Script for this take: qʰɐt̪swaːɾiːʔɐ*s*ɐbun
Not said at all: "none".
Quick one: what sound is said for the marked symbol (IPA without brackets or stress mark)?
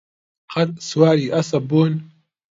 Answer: s